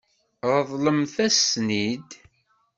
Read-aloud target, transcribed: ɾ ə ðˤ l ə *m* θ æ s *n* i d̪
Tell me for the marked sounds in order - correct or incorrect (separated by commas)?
correct, correct